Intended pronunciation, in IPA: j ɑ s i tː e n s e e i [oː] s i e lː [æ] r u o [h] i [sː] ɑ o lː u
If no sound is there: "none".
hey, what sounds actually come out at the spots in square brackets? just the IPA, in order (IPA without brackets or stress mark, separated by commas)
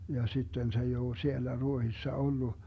oː, æ, h, sː